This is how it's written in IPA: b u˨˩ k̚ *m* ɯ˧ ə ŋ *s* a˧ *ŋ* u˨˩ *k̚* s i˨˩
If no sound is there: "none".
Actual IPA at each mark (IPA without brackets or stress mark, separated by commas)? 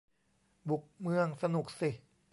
m, s, n, k̚